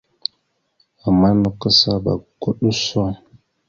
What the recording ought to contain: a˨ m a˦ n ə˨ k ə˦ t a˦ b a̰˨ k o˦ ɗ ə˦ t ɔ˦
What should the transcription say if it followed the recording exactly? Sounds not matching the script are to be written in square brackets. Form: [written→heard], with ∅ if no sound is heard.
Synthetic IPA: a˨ m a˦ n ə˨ k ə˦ [t→s] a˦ b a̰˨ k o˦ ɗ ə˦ [t→s] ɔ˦